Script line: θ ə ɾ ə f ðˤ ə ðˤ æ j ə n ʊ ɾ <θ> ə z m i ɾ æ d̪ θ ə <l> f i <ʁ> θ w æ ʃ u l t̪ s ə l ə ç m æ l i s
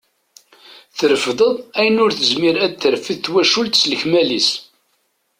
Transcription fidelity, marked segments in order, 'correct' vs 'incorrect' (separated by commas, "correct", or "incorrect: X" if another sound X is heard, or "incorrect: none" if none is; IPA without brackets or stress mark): correct, incorrect: ɾ, incorrect: ð